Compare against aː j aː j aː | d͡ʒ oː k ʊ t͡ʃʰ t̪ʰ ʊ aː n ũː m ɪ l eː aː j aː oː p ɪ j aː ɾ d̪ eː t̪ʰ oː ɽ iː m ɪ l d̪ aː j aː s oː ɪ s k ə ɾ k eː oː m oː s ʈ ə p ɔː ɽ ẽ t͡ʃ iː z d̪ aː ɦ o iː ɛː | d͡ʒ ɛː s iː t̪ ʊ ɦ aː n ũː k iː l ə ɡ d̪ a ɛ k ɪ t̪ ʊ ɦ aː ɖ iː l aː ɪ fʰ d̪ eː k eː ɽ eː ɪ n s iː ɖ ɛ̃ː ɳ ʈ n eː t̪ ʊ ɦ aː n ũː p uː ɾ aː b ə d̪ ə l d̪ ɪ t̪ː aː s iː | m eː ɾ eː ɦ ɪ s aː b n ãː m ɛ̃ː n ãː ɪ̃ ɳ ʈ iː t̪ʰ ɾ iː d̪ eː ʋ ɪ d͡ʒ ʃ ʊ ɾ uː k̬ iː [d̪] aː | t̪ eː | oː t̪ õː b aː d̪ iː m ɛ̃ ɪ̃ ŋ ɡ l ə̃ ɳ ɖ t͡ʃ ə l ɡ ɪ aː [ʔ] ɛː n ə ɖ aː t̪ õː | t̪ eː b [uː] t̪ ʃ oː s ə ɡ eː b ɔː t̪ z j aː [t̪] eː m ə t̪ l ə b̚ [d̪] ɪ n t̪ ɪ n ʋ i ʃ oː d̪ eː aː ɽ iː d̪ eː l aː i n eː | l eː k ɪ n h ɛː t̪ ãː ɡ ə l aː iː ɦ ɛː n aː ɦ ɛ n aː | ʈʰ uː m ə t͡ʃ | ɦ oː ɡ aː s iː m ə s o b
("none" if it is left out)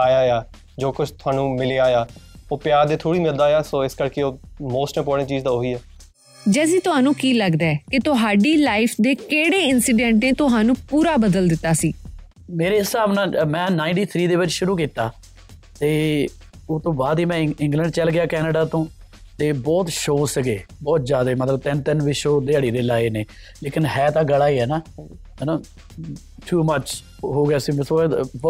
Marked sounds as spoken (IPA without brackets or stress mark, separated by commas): t̪, k, ɔː, d̪, t̪